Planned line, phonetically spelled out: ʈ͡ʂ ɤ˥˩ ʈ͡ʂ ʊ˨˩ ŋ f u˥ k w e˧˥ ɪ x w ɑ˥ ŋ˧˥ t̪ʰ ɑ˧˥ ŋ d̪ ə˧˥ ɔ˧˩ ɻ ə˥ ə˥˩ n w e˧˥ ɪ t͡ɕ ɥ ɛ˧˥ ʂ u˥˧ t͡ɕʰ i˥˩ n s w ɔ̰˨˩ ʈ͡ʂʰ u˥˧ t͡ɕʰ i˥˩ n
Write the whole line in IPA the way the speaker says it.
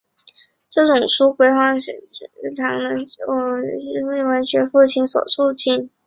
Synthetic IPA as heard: ʈ͡ʂ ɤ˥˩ ʈ͡ʂ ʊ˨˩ ŋ ʂ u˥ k w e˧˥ ɪ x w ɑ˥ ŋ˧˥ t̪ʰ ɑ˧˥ ŋ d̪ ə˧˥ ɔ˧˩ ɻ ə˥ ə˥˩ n w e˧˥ ɪ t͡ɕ ɥ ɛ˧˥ f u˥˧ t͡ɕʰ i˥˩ n s w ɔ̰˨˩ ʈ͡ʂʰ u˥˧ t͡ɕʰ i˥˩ n